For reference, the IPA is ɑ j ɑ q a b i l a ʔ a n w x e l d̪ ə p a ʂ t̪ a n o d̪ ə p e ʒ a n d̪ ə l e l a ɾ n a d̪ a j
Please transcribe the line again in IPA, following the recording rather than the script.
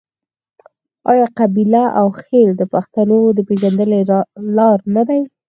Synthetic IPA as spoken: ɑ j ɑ q a b i l a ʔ a w x e l d̪ ə p a x t̪ a n o d̪ ə p e ʒ a n d̪ ə l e l ɑ ɾ n a d̪ a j